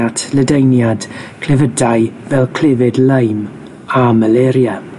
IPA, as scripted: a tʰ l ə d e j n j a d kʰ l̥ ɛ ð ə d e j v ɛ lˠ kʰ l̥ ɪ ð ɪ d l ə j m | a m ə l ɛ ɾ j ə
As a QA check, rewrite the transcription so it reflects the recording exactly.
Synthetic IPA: a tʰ l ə d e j n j a d kʰ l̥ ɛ v ə d a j v ɛ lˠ kʰ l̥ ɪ v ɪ d l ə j m | a m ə l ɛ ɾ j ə